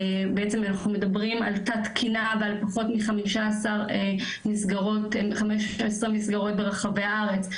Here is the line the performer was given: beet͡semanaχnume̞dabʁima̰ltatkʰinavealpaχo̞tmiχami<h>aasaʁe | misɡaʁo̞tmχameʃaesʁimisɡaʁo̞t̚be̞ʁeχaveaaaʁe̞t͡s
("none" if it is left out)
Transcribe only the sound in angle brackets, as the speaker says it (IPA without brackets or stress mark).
ʃ